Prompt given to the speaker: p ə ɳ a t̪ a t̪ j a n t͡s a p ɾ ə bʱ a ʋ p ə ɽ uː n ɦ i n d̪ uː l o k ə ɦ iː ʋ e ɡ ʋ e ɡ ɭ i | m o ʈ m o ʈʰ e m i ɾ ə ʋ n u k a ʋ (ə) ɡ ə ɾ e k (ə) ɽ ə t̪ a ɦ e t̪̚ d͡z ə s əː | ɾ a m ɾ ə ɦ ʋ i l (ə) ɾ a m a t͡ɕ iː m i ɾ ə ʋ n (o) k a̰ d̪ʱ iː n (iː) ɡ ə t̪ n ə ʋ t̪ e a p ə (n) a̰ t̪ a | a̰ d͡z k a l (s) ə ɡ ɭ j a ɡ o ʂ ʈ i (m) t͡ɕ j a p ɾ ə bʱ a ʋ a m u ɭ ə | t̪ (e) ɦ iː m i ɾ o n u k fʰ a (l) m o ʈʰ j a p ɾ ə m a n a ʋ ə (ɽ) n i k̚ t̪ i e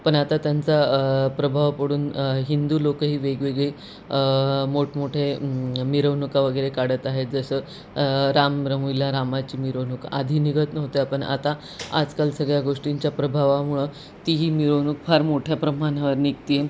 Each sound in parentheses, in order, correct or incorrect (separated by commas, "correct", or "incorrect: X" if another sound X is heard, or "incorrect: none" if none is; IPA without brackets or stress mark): correct, incorrect: a, incorrect: a, incorrect: u, incorrect: i, incorrect: ɳ, correct, incorrect: ɲ, incorrect: i, incorrect: ɾ, incorrect: ɾ